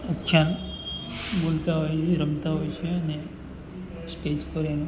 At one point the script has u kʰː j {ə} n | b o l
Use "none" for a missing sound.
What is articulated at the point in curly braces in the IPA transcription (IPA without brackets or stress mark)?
a